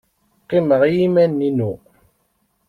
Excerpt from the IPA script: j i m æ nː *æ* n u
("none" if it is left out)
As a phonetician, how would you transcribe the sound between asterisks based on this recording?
i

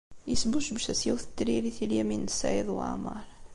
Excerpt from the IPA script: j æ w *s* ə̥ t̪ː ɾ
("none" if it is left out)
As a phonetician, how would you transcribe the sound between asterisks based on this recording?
θ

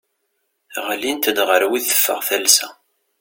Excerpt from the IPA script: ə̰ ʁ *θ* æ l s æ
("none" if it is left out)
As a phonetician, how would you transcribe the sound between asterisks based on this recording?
θ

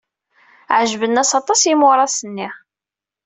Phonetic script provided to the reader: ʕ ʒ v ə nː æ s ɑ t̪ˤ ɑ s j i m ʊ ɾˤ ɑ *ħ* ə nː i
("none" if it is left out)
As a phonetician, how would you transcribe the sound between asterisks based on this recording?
s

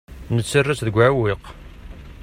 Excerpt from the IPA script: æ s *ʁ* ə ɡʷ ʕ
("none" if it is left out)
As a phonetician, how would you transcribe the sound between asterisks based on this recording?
ð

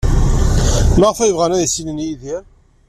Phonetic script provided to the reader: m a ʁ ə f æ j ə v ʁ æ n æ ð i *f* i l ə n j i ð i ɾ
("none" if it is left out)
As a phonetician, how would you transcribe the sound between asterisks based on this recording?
s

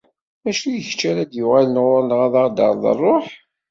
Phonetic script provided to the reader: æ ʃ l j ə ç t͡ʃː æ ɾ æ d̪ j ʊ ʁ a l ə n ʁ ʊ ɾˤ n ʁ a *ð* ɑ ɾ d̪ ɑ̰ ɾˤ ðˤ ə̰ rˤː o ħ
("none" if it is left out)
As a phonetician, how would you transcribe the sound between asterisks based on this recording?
ð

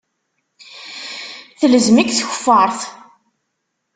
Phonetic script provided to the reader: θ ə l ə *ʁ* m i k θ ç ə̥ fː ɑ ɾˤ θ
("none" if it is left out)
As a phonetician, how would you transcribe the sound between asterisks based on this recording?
z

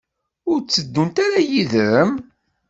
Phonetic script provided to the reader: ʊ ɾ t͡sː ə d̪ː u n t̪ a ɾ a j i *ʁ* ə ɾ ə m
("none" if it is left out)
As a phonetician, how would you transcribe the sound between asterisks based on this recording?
ð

